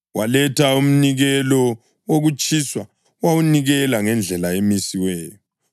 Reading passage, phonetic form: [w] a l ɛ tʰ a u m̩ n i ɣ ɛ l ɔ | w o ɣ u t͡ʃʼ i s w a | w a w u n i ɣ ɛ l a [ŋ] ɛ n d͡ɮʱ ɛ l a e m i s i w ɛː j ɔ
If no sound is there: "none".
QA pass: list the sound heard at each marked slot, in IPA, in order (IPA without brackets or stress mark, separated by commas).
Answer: w, ŋ